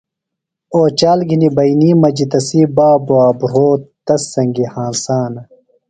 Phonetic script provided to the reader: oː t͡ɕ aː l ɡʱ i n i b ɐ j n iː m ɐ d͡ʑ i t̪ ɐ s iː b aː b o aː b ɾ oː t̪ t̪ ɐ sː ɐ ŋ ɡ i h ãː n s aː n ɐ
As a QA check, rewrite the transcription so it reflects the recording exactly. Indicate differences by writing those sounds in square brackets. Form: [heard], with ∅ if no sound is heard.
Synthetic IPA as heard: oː t͡ɕ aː l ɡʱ i n i b ɐ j n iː m ɐ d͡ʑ i t̪ ɐ s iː b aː b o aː b ɾ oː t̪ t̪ ɐ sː ɐ ŋ ɡ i h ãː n s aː n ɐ